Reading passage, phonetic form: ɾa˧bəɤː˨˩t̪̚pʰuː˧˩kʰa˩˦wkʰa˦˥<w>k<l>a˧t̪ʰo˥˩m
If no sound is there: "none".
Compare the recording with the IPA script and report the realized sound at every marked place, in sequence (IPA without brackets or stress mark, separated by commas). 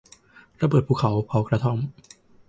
w, ɾ